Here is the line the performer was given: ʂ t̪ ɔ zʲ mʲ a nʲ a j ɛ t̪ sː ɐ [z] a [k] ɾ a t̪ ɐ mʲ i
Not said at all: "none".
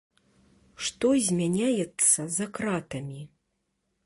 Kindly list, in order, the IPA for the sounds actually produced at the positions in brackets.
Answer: z, k

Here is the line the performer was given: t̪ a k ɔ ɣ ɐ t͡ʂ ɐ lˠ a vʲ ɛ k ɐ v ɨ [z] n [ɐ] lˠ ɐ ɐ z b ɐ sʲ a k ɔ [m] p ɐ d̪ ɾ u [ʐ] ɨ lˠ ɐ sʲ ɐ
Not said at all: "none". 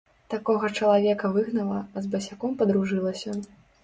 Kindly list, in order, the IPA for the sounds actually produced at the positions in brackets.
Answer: ɣ, ɐ, m, ʐ

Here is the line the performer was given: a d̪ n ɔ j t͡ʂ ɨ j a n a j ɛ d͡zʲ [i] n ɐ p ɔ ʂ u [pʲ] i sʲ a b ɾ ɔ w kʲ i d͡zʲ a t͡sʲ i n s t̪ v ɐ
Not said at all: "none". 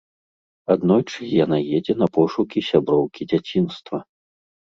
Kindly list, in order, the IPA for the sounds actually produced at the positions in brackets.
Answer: ɛ, kʲ

